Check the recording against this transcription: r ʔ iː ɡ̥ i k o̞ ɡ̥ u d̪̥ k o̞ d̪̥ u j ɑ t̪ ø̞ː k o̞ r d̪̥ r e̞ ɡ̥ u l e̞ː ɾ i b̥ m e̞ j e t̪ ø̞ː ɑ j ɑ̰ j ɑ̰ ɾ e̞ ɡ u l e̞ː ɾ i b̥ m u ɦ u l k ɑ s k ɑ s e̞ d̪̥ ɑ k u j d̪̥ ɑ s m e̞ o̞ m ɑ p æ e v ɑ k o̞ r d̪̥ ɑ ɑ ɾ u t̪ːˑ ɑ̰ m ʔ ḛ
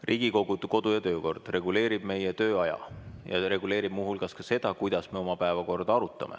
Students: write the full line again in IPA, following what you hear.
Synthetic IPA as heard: r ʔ iː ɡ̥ i k o̞ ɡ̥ u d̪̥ k o̞ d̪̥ u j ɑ t̪ ø̞ː k o̞ r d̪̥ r e̞ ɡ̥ u l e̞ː ɾ i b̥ m e̞ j e t̪ ø̞ː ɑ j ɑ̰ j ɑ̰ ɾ e̞ ɡ u l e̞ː ɾ i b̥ m u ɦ u l k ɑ s k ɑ s e̞ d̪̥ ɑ k u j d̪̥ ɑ s m e̞ o̞ m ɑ p æ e v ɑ k o̞ r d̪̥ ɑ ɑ ɾ u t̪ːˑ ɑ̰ m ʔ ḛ